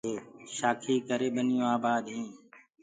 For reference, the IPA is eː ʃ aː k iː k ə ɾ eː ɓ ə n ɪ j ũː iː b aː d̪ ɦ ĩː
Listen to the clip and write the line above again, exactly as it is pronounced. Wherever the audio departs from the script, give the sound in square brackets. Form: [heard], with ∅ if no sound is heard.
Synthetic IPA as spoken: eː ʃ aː [kʰ] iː k ə ɾ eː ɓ ə n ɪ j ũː [aː] b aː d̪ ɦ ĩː